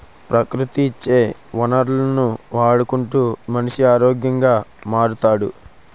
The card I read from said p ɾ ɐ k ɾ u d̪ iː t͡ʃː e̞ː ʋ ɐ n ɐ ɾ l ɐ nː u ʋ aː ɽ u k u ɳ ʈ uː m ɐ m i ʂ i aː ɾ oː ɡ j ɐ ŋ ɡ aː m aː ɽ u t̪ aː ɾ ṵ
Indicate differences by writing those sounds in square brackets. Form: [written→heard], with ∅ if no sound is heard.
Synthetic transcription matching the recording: p ɾ ɐ k ɾ u [d̪→t̪] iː t͡ʃː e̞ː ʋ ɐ n ɐ ɾ l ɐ [nː→n] u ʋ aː ɽ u k u ɳ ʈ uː m ɐ [m→n] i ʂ i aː ɾ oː ɡ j ɐ ŋ ɡ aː m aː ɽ u t̪ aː [ɾ→ɽ] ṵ